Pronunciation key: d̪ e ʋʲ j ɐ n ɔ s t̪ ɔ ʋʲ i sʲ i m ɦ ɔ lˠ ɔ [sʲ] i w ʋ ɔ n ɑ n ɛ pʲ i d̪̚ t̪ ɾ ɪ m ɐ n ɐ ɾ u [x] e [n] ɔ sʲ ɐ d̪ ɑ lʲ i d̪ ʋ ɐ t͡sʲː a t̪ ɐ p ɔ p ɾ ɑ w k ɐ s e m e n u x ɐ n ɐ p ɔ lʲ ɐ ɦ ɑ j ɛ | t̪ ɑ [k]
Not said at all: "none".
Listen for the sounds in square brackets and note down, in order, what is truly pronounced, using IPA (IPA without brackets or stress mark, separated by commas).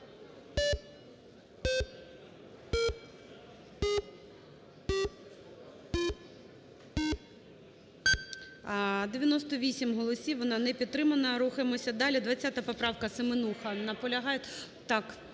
sʲ, x, m, k